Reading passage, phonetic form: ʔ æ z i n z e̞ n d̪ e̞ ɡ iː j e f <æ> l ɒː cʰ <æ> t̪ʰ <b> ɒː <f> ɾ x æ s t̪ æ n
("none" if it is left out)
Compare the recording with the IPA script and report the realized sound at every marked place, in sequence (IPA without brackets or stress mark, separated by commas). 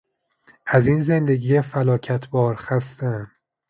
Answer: æ, æ, b, none